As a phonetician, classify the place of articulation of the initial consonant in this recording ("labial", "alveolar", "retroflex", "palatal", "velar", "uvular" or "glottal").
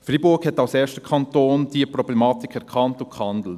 labial